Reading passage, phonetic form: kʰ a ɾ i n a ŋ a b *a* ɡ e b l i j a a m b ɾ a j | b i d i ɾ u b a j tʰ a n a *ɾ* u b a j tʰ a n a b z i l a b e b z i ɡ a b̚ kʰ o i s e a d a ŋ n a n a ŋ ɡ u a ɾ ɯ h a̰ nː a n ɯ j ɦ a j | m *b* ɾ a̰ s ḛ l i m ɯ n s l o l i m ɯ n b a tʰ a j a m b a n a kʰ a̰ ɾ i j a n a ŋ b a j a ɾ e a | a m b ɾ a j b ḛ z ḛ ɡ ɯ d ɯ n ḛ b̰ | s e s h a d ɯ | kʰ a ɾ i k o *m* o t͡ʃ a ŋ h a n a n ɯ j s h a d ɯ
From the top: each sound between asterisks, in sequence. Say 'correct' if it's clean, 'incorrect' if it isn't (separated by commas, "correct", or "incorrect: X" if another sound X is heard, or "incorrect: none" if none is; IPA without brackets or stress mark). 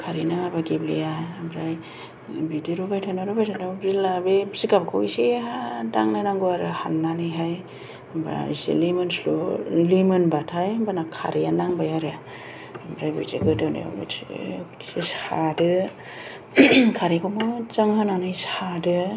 correct, correct, correct, correct